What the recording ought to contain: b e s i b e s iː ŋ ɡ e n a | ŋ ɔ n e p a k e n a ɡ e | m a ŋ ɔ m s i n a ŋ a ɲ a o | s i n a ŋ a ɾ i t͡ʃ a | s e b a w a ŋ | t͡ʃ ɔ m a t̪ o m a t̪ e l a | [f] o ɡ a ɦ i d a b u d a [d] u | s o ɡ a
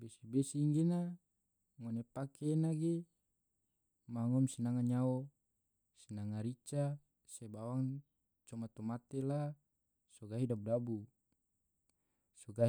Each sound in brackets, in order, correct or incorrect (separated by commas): incorrect, incorrect